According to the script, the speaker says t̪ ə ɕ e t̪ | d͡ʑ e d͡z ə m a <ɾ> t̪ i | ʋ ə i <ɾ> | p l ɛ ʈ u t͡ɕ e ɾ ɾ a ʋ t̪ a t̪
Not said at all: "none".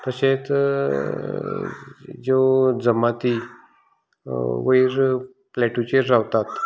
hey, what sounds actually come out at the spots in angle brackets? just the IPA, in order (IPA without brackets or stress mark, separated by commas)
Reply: none, ɾ